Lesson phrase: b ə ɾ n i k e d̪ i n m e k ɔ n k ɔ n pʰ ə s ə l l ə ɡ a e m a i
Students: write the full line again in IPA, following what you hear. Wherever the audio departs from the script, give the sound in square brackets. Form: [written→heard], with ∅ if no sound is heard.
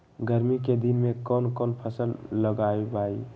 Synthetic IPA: [b→ɡ] ə ɾ [n→m] i k e d̪ i n m e k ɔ n k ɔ n pʰ ə s ə l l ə ɡ a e [m→b] a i